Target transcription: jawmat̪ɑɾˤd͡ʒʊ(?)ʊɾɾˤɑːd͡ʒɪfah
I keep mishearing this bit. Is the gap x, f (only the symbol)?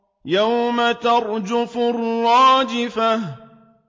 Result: f